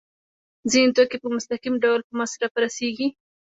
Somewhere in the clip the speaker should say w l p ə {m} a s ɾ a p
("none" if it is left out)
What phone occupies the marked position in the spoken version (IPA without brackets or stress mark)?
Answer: m